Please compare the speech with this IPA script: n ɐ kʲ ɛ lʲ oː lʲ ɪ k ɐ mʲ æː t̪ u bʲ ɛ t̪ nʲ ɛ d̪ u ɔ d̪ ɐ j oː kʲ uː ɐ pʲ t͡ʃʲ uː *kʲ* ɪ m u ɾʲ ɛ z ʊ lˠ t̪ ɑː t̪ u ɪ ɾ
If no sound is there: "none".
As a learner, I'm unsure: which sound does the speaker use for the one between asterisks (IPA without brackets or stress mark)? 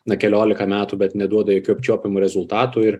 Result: pʲ